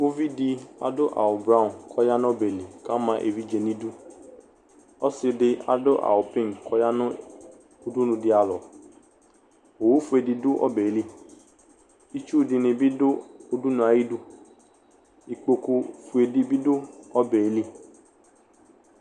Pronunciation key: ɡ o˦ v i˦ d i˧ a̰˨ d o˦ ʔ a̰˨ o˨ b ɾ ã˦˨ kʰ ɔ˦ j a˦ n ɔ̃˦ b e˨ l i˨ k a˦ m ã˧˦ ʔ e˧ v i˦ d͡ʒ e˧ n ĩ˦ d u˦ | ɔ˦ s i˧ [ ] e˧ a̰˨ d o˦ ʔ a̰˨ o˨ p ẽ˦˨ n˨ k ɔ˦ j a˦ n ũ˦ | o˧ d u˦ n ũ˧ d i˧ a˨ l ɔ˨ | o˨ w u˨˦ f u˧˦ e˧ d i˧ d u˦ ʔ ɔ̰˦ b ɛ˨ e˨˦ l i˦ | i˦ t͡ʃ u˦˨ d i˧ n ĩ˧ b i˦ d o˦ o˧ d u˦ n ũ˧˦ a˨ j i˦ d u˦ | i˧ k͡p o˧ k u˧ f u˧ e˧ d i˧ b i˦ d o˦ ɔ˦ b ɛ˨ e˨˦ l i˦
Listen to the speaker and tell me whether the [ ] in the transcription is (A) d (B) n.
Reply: A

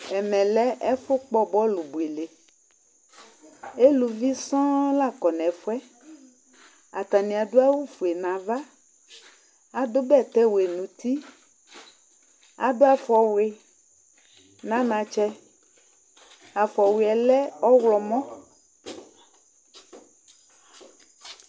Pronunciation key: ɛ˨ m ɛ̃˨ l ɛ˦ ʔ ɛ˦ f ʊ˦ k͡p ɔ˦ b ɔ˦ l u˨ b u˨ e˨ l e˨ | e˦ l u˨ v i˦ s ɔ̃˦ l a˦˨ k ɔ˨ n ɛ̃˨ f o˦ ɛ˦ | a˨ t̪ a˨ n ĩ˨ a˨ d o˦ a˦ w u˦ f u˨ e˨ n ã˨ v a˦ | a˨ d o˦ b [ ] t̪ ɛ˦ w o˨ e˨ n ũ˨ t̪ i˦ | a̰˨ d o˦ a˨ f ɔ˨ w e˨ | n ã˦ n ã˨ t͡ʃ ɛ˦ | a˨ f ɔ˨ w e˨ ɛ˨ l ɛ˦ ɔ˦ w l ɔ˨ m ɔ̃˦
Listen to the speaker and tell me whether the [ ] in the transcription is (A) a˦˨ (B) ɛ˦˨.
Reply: B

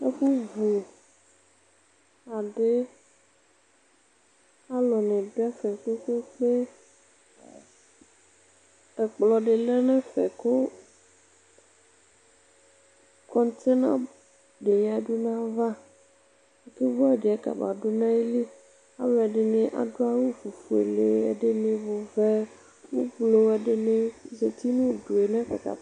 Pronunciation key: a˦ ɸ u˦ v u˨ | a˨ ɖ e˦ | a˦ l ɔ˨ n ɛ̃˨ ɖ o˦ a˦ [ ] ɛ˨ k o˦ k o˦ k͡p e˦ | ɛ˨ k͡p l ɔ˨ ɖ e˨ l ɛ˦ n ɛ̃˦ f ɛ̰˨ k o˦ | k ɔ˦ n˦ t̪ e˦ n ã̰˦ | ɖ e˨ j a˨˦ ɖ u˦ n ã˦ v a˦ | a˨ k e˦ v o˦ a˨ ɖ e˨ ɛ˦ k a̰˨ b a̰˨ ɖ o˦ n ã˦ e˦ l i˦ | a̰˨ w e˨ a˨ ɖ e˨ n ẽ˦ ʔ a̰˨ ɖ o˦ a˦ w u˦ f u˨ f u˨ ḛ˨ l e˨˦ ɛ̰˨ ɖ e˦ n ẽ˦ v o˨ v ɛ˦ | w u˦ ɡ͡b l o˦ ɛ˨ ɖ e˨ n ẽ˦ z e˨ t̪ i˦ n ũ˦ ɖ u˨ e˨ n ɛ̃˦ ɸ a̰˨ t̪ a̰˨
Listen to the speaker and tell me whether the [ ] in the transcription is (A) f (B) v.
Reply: A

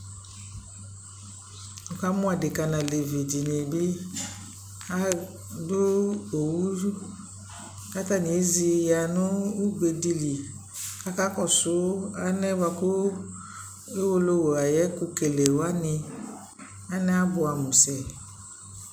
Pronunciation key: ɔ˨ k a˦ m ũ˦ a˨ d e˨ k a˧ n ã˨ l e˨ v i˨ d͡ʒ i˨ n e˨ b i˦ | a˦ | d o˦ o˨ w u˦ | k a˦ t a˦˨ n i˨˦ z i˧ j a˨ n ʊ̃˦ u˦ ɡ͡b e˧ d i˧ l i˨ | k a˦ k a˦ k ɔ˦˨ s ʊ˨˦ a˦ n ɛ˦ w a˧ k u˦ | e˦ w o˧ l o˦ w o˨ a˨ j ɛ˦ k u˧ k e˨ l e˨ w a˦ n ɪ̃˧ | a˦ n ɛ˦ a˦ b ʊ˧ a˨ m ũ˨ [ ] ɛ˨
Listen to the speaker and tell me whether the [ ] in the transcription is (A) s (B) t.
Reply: A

